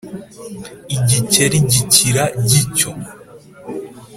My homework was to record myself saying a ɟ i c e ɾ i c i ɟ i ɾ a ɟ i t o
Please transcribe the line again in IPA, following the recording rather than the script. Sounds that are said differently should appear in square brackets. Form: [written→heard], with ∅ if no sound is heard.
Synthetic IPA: [a→i] ɟ i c e ɾ i [c→ɟ] i [ɟ→c] i ɾ a ɟ i [t→c] o

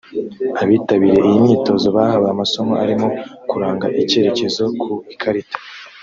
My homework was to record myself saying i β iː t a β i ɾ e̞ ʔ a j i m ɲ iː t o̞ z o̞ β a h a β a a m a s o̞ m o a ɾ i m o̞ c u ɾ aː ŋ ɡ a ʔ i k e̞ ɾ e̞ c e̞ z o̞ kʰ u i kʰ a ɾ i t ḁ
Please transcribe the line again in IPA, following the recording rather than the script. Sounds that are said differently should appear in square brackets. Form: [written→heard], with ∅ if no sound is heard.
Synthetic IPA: [i→a] β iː t a β i ɾ e̞ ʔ [a→i] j i m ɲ iː t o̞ z o̞ β a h a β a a m a s o̞ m o a ɾ i m o̞ [c→k] u ɾ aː ŋ ɡ a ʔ i [k→c] e̞ ɾ e̞ c e̞ z o̞ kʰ u i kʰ a ɾ i t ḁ

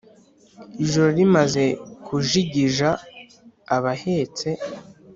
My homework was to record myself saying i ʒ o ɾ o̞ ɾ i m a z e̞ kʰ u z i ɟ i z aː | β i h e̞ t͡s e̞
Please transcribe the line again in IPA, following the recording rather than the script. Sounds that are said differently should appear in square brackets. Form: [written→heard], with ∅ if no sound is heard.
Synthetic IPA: i ʒ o ɾ o̞ ɾ i m a z e̞ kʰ u [z→ʒ] i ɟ i [z→ʒ] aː | β [i→a] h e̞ t͡s e̞

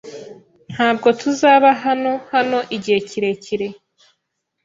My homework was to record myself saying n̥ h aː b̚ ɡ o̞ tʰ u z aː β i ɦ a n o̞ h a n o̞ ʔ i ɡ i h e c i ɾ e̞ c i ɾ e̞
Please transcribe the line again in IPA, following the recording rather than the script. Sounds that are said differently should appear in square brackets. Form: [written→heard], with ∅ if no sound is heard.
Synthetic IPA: n̥ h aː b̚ ɡ o̞ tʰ u z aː β [i→a] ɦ a n o̞ h a n o̞ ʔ i [ɡ→ɟ] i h e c i ɾ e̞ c i ɾ e̞

